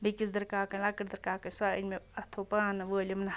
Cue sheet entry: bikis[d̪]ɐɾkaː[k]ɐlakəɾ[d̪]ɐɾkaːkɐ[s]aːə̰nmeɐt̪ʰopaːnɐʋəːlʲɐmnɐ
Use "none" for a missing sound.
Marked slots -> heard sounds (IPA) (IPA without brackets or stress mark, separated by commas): d̪, k, d̪, s